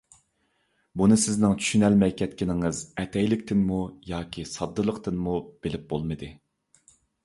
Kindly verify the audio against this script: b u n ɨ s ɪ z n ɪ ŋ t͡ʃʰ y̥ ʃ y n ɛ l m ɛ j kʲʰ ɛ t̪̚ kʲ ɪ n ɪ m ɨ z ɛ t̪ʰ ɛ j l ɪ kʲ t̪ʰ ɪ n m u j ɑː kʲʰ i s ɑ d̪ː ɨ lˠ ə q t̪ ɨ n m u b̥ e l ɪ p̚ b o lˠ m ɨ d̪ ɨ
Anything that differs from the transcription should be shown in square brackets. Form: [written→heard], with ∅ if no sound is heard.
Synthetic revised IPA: b u n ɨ s ɪ z n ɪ ŋ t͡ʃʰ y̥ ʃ y n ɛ l m ɛ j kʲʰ ɛ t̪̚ kʲ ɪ n ɪ [m→ŋ] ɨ z ɛ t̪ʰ ɛ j l ɪ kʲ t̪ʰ ɪ n m u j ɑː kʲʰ i s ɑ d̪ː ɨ lˠ ə q t̪ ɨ n m u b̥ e l ɪ p̚ b o lˠ m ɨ d̪ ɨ